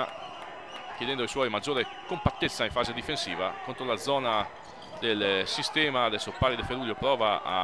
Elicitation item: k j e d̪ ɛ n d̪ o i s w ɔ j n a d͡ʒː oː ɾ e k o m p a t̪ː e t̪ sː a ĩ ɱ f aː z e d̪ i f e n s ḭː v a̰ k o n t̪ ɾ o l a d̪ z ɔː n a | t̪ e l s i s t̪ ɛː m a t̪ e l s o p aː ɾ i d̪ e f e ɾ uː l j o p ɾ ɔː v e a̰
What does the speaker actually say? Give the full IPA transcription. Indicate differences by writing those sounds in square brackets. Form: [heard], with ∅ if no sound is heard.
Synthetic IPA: k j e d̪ ɛ n d̪ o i s w ɔ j [m] a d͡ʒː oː ɾ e k o m p a t̪ː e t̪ sː a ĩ ɱ f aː z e d̪ i f e n s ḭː v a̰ k o n t̪ ɾ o l a d̪ z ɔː n a | [d̪] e l s i s t̪ ɛː m a [d̪] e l s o p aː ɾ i d̪ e f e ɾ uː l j o p ɾ ɔː v [a] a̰